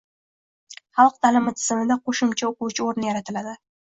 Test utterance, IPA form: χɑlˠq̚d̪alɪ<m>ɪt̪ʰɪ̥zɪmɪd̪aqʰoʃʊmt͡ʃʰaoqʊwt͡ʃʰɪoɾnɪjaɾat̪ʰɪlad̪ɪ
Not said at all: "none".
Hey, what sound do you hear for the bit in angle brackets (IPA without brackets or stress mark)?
m